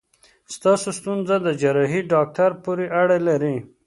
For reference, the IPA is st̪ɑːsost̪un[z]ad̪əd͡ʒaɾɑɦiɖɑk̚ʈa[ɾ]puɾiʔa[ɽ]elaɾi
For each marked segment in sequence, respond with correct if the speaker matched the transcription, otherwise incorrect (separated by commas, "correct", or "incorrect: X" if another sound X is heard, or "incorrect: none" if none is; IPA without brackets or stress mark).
correct, correct, correct